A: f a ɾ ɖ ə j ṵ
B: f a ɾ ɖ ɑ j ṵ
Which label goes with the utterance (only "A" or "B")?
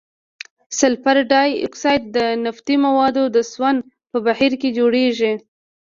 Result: B